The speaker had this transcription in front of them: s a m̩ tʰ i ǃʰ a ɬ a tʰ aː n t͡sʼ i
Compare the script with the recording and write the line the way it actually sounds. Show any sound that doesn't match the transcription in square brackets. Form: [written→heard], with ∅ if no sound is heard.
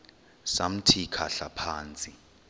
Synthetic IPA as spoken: s a m̩ tʰ i [ǃʰ→kʰ] a ɬ a [tʰ→pʰ] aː n t͡sʼ i